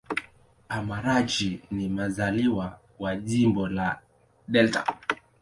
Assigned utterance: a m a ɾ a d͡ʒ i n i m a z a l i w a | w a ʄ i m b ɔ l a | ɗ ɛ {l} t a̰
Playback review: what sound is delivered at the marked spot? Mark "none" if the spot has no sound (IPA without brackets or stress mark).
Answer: l